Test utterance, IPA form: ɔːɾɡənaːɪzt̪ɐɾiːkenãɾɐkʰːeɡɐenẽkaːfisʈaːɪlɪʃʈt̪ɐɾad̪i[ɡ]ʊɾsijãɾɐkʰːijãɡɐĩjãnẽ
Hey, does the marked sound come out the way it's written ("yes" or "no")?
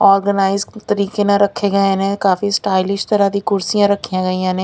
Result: no